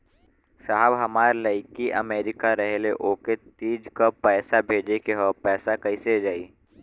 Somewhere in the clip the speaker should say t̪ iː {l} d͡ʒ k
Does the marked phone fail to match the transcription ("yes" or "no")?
yes